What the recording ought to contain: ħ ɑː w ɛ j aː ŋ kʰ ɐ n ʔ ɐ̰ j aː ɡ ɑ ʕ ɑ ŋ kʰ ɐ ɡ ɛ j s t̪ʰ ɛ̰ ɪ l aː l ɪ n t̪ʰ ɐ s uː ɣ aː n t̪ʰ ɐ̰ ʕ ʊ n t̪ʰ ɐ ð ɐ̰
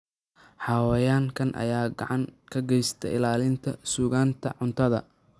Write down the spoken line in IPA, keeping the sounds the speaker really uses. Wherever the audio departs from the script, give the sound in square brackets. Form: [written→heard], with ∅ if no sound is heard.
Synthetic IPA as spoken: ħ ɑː w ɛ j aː ŋ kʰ ɐ n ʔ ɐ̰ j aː ɡ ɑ ʕ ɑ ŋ kʰ ɐ ɡ ɛ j s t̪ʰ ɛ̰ ɪ l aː l ɪ n t̪ʰ ɐ s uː ɣ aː n t̪ʰ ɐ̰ ʕ ʊ n t̪ʰ ɐ ð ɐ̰

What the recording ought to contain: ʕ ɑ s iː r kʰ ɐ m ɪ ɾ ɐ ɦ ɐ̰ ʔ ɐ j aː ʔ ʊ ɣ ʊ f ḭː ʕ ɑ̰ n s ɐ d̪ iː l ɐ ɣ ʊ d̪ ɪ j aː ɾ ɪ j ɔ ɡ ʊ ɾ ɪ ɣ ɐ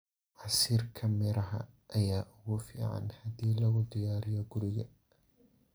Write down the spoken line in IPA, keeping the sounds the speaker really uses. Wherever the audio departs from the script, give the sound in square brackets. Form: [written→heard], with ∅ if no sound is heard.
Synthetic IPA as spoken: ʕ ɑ s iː r kʰ ɐ m ɪ ɾ ɐ ɦ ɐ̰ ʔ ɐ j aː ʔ ʊ ɣ ʊ f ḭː ʕ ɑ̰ n [s→h] ɐ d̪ iː l ɐ ɣ ʊ d̪ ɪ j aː ɾ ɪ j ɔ ɡ ʊ ɾ ɪ ɣ ɐ

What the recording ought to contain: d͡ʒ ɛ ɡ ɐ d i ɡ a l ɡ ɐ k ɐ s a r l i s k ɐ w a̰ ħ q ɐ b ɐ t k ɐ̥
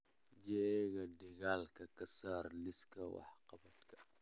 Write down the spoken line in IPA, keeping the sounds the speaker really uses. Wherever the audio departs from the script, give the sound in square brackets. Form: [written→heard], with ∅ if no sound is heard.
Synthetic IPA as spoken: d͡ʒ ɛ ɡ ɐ d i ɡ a l [ɡ→k] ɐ k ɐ s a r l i s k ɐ w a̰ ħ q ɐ b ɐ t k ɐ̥

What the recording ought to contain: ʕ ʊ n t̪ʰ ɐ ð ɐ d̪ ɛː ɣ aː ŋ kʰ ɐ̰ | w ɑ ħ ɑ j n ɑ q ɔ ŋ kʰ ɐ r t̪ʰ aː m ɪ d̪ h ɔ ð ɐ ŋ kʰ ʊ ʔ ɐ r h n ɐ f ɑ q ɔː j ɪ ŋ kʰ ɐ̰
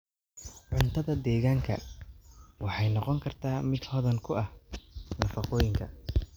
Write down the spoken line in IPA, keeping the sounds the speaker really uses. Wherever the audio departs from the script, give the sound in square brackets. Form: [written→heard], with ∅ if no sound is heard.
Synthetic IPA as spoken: ʕ ʊ n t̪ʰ ɐ ð ɐ d̪ ɛː ɣ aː ŋ kʰ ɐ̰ | w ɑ ħ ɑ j n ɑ q ɔ ŋ kʰ ɐ r t̪ʰ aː m ɪ d̪ h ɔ ð ɐ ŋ kʰ ʊ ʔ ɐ [r→∅] h n ɐ f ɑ q ɔː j ɪ ŋ kʰ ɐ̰

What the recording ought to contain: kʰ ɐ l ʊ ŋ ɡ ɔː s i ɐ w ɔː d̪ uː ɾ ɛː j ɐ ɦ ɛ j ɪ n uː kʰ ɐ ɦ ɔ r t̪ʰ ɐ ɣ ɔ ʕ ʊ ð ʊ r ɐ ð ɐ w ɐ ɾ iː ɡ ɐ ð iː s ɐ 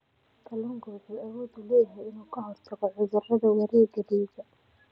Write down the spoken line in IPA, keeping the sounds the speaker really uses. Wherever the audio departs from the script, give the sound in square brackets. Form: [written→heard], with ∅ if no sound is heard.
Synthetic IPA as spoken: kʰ ɐ l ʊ ŋ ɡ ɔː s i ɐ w ɔː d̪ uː [ɾ→l] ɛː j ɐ ɦ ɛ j ɪ n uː kʰ ɐ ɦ ɔ r t̪ʰ ɐ ɣ ɔ ʕ ʊ ð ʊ r ɐ ð ɐ w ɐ ɾ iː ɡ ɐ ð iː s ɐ

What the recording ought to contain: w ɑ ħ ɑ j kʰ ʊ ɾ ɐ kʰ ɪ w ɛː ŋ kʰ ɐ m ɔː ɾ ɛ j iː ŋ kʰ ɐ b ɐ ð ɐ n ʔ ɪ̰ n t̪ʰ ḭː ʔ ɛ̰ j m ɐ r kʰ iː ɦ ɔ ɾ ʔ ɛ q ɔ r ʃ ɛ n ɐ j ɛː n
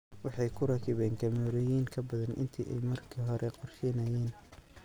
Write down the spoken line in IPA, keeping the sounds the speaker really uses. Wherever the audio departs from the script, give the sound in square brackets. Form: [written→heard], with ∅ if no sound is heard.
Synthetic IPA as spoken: w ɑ ħ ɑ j kʰ ʊ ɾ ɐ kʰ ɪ [w→β] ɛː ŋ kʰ ɐ m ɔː ɾ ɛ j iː ŋ kʰ ɐ b ɐ ð ɐ n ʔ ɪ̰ n t̪ʰ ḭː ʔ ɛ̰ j m ɐ r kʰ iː ɦ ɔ ɾ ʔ ɛ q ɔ r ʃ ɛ n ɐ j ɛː n

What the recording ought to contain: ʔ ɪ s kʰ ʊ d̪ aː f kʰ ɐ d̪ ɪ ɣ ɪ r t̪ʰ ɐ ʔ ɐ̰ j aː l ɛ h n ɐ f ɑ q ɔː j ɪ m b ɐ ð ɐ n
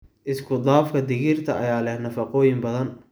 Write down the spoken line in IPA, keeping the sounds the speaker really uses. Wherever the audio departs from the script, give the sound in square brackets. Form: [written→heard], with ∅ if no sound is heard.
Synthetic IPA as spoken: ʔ ɪ s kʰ ʊ d̪ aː f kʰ ɐ d̪ ɪ ɣ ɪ r t̪ʰ ɐ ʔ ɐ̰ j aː l ɛ h n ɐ f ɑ q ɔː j ɪ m b ɐ ð ɐ n

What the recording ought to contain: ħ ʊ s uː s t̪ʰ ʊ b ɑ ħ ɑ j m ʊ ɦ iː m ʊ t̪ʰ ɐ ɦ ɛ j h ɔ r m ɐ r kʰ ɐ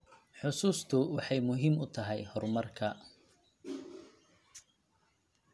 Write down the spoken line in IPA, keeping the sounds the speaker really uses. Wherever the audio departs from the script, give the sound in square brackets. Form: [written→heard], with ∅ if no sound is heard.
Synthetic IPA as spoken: ħ ʊ s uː s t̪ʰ ʊ [b→w] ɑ ħ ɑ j m ʊ ɦ iː m ʊ t̪ʰ ɐ ɦ ɛ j h ɔ r m ɐ r kʰ ɐ

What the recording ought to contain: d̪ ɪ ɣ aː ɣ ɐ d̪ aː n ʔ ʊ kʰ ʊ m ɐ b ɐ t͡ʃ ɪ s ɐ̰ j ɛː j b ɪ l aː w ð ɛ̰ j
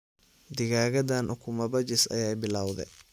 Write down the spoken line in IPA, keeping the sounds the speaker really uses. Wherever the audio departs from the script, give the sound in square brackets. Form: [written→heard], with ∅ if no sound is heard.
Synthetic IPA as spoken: d̪ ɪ ɣ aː ɣ ɐ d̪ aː n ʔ ʊ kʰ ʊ m ɐ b ɐ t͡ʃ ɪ s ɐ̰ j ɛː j b ɪ l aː w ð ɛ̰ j

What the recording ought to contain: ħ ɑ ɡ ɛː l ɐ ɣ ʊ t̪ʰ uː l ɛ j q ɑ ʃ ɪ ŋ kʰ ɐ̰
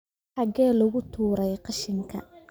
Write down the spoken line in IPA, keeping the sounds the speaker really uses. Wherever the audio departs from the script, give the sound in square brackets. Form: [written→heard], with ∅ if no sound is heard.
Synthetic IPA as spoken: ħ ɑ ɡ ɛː l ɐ ɣ ʊ t̪ʰ uː [l→ɾ] ɛ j q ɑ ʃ ɪ ŋ kʰ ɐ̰

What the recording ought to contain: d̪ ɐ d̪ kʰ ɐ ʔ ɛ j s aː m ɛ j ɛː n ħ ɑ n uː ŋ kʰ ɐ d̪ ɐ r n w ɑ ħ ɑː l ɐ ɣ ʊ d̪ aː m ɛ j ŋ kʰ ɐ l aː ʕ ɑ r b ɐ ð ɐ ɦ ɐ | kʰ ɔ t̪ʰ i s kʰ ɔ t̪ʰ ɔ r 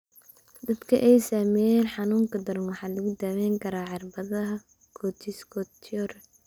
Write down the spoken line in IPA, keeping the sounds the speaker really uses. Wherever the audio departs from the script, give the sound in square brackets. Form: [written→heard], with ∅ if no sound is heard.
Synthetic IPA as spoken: d̪ ɐ d̪ kʰ ɐ ʔ ɛ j s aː m ɛ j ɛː n ħ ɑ n uː ŋ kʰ ɐ d̪ ɐ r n w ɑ ħ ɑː l ɐ ɣ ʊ d̪ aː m ɛ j ŋ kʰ ɐ [l→ɾ] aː ʕ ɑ r b ɐ ð ɐ ɦ ɐ | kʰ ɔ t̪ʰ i s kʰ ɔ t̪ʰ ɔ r

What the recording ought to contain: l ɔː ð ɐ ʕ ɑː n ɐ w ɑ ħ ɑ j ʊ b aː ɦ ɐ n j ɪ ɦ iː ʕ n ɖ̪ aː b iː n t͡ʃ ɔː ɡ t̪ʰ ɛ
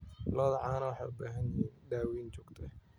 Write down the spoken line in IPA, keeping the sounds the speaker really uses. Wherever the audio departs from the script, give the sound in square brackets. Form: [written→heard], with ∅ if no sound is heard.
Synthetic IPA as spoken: l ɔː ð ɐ ʕ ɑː n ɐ w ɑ ħ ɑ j ʊ b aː ɦ ɐ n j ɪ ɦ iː [ʕ→∅] n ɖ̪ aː [b→w] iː n t͡ʃ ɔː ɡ t̪ʰ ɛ

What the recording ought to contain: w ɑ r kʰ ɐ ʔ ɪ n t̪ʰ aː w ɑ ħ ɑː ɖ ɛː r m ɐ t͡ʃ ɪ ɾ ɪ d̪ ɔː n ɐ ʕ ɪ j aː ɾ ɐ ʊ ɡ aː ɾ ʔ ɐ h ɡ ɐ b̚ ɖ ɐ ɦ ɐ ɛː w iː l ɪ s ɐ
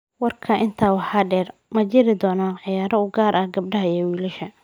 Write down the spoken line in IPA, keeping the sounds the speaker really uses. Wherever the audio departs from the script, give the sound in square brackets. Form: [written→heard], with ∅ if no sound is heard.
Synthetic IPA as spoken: w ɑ r kʰ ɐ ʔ ɪ n t̪ʰ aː w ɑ ħ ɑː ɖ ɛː r m ɐ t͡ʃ ɪ ɾ ɪ d̪ ɔː n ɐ ʕ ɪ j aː ɾ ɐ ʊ ɡ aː ɾ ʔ ɐ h ɡ ɐ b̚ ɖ ɐ ɦ ɐ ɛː w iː l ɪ [s→ʃ] ɐ

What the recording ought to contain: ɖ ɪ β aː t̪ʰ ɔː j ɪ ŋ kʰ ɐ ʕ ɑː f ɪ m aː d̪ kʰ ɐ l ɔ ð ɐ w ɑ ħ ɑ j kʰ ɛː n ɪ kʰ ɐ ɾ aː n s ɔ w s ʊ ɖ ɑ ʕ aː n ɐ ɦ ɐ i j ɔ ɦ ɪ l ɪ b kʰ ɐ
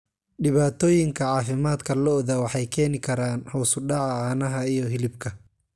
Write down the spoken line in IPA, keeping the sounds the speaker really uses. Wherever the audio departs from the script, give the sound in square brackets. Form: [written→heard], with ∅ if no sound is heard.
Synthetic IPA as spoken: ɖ ɪ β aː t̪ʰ ɔː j ɪ ŋ kʰ ɐ ʕ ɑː f ɪ m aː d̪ kʰ ɐ l ɔ ð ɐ w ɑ ħ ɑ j kʰ ɛː n ɪ kʰ ɐ ɾ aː n [s→h] ɔ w s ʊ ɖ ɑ ʕ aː n ɐ ɦ ɐ i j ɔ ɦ ɪ l ɪ b kʰ ɐ

